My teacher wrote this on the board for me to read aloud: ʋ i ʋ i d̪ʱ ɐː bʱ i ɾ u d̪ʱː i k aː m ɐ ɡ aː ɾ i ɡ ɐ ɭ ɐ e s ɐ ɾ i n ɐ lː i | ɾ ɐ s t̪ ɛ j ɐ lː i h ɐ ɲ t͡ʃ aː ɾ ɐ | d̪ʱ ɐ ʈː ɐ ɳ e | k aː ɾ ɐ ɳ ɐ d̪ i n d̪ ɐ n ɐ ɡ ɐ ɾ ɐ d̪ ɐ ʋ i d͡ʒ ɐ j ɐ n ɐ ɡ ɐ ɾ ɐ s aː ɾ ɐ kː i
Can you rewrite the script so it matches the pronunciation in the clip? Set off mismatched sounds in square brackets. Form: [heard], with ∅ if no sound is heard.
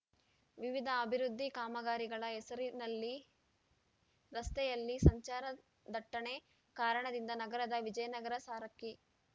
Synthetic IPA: ʋ i ʋ i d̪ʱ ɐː bʱ i ɾ u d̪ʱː i k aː m ɐ ɡ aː ɾ i ɡ ɐ ɭ ɐ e s ɐ ɾ i n ɐ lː i | ɾ ɐ s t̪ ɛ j ɐ lː i [s] ɐ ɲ t͡ʃ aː ɾ ɐ | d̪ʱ ɐ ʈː ɐ ɳ e | k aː ɾ ɐ ɳ ɐ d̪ i n d̪ ɐ n ɐ ɡ ɐ ɾ ɐ d̪ ɐ ʋ i d͡ʒ ɐ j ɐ n ɐ ɡ ɐ ɾ ɐ s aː ɾ ɐ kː i